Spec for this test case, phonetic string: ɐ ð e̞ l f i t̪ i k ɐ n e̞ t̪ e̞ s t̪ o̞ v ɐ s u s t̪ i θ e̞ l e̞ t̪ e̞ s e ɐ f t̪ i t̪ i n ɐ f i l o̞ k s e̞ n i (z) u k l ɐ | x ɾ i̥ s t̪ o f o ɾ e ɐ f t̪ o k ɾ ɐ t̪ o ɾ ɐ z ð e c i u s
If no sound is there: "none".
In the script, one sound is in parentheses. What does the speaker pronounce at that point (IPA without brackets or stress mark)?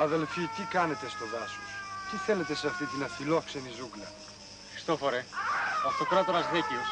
z